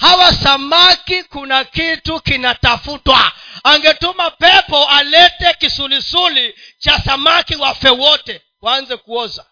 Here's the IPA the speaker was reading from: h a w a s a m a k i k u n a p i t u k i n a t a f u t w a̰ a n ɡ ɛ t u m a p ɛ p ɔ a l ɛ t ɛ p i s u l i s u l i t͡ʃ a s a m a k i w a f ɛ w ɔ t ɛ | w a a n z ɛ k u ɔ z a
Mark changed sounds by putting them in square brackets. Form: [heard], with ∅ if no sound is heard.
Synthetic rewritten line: h a w a s a m a k i k u n a [k] i t u k i n a t a f u t w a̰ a [ŋ] ɡ ɛ t u m a p ɛ p ɔ a l ɛ t ɛ [k] i s u l i s u l i t͡ʃ a s a m a k i w a f ɛ w ɔ t ɛ | w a a n z ɛ k u ɔ z a